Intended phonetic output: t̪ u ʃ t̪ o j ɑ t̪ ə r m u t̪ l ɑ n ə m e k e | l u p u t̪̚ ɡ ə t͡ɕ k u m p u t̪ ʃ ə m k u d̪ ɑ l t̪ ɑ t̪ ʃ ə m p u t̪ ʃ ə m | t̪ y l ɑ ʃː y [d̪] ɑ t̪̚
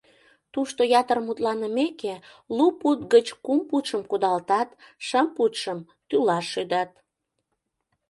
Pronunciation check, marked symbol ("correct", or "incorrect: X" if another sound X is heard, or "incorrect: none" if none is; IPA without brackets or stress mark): correct